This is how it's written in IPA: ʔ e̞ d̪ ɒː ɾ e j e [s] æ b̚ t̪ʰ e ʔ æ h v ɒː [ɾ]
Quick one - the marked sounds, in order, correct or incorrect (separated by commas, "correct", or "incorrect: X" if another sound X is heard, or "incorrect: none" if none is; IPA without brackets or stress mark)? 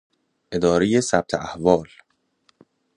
correct, incorrect: l